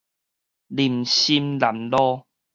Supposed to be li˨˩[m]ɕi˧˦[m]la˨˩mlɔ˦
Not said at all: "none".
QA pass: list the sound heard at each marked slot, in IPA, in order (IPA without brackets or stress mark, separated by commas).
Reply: m, m